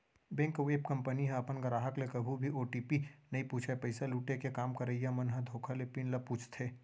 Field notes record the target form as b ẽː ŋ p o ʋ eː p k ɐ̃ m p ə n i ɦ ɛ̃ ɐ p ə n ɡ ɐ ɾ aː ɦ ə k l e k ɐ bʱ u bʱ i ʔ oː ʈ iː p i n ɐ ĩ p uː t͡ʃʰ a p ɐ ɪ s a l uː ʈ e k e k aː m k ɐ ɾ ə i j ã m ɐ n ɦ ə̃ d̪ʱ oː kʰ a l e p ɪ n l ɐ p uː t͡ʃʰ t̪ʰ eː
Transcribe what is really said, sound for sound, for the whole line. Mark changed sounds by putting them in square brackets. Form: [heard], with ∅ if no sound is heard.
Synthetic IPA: b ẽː ŋ [k] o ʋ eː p k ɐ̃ m p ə n i ɦ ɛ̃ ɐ p ə n ɡ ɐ ɾ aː ɦ ə k l e k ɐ bʱ u bʱ i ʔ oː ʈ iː p i n ɐ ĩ p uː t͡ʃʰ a p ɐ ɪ s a l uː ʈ e k e k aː m k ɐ ɾ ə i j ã m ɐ n ɦ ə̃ d̪ʱ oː kʰ a l e p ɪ n l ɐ p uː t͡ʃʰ t̪ʰ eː